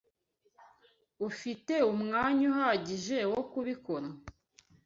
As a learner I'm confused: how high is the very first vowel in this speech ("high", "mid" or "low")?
high